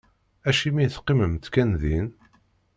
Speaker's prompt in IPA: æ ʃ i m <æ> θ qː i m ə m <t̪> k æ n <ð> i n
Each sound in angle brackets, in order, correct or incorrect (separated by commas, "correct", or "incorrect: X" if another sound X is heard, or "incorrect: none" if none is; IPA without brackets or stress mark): incorrect: i, correct, correct